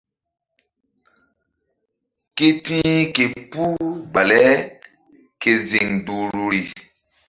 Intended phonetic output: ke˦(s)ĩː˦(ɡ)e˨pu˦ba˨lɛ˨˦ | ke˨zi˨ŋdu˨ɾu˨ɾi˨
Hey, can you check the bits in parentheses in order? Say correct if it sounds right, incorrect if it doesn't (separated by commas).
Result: incorrect, incorrect